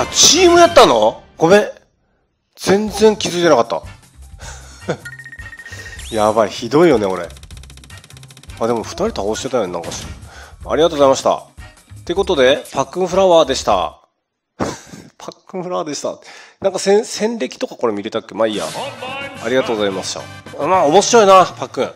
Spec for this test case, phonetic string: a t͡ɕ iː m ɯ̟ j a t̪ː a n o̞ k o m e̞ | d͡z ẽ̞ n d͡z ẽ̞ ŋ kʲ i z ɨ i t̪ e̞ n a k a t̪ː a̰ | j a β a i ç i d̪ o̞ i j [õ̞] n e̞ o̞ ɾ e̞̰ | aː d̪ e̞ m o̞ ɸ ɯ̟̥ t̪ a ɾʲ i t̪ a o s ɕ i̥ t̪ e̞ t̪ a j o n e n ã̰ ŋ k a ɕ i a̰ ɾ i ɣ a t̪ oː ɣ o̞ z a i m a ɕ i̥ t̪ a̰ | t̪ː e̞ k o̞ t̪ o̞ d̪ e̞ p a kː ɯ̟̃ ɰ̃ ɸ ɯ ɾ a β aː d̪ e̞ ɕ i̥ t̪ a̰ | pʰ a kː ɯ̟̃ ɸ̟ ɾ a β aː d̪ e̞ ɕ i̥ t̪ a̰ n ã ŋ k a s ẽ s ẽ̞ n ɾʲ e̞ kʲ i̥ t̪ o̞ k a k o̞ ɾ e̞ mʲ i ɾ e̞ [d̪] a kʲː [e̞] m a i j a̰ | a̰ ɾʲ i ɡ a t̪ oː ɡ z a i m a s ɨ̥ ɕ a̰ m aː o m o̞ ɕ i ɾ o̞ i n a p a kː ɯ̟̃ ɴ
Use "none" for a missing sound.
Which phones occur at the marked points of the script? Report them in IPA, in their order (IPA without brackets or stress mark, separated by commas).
o̞, t̪, e̞